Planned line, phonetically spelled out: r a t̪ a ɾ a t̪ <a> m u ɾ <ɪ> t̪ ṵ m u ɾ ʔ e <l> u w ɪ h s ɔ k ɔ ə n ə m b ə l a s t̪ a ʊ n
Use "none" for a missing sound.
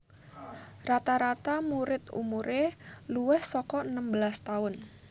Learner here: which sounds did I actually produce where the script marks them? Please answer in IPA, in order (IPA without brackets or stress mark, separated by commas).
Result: a, ɪ, l